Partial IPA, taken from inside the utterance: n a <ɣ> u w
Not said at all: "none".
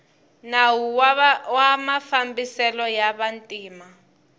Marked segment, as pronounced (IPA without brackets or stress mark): w